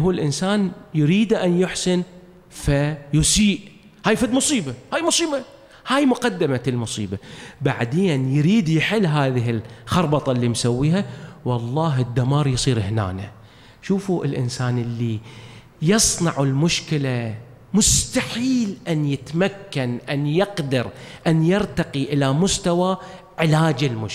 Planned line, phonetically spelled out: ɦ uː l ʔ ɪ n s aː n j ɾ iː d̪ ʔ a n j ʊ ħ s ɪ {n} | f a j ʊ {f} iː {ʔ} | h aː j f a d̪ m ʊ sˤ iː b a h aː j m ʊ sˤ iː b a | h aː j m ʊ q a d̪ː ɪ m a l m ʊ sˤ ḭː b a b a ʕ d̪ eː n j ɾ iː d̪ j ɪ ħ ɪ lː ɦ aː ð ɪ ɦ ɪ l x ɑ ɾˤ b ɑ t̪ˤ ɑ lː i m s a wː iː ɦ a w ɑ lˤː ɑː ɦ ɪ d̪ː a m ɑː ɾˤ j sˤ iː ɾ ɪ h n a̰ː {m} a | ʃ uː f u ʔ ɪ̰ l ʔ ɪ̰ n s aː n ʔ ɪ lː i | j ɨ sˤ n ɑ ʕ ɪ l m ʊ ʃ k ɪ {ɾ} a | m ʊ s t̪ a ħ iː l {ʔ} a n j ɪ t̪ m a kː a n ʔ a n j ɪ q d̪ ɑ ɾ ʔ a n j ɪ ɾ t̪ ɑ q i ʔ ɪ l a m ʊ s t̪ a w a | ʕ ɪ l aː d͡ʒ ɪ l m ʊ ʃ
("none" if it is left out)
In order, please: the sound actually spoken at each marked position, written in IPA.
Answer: n, s, ʔ, n, l, ʔ

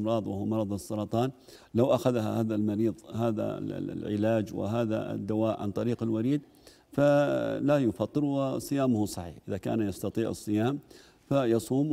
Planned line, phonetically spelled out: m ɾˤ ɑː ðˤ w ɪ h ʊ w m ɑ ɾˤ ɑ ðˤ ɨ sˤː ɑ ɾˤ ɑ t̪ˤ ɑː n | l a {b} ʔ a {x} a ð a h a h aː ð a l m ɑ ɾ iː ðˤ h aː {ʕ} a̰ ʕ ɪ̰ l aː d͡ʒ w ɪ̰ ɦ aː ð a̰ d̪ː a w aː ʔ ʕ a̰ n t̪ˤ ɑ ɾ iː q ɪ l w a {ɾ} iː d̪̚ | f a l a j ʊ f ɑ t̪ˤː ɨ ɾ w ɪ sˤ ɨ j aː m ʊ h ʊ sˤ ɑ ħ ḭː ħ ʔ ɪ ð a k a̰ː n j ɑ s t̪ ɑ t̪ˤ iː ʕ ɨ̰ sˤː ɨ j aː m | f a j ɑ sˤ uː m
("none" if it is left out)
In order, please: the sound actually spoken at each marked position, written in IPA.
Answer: w, x, ð, ɾ

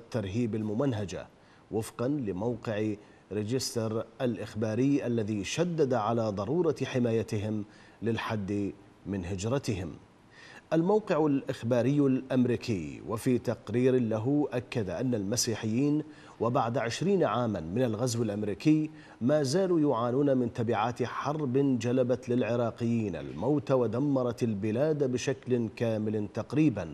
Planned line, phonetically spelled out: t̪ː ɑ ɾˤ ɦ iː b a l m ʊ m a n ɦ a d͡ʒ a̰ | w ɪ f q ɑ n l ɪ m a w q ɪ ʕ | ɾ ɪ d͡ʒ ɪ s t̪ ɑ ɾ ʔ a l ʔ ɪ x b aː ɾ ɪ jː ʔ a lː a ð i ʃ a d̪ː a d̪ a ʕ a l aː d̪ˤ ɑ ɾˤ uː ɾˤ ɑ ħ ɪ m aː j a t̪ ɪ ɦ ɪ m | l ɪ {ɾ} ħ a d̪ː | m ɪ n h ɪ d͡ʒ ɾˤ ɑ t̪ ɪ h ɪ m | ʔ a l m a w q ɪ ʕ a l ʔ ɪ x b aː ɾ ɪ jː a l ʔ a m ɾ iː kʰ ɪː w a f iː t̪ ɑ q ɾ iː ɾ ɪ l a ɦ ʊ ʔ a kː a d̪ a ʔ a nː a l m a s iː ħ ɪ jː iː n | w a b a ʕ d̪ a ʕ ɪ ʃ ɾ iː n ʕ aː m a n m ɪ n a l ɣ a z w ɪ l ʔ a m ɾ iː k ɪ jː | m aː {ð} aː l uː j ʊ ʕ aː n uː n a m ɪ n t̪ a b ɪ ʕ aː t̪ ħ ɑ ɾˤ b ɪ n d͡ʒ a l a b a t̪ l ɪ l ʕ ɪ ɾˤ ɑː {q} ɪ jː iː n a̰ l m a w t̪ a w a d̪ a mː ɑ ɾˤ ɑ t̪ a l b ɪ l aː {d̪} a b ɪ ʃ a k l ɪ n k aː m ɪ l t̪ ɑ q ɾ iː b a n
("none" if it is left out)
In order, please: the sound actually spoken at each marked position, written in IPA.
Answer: l, z, q, d̪

